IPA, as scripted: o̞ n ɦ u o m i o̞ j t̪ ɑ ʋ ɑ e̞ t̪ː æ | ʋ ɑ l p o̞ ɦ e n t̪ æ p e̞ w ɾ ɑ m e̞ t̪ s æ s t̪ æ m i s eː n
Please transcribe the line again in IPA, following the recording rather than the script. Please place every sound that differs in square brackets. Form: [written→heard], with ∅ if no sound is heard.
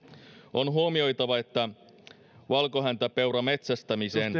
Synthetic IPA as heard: o̞ n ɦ u o m i o̞ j t̪ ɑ ʋ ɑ e̞ t̪ː æ | ʋ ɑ l [p→k] o̞ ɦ [e→æ] n t̪ æ p e̞ w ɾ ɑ m e̞ t̪ s æ s t̪ æ m i s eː n